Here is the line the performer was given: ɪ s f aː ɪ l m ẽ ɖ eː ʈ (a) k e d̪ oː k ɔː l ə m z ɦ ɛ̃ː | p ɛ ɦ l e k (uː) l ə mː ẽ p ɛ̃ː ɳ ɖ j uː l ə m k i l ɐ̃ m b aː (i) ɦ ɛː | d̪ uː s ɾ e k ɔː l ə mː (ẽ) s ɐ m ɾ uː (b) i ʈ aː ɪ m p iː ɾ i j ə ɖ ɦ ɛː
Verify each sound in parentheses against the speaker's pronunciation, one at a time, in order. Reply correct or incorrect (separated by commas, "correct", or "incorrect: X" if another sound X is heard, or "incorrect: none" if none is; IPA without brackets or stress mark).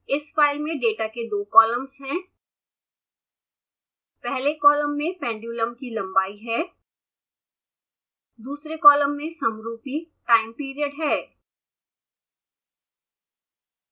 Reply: correct, incorrect: ɔː, correct, correct, incorrect: p